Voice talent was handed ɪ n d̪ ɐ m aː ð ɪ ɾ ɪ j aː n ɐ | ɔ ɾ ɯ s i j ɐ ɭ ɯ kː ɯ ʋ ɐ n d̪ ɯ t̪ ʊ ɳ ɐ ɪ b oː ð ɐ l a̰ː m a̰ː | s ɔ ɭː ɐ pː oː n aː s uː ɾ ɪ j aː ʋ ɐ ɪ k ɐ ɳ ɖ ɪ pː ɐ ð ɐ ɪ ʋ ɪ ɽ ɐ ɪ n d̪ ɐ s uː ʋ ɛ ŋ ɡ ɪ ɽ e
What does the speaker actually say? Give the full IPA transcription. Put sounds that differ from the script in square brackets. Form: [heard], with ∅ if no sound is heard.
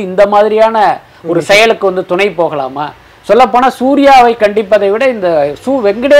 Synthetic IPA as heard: ɪ n d̪ ɐ m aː ð ɪ ɾ ɪ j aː n ɐ | ɔ ɾ ɯ s [ɛ] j ɐ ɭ ɯ kː ɯ ʋ ɐ n d̪ ɯ t̪ ʊ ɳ ɐ ɪ [p] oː [ɣ] ɐ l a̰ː m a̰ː | s ɔ [lː] ɐ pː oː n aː s uː ɾ ɪ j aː ʋ ɐ ɪ k ɐ ɳ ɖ ɪ pː ɐ ð ɐ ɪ ʋ ɪ ɽ ɐ ɪ n d̪ ɐ s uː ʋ ɛ ŋ ɡ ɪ ɽ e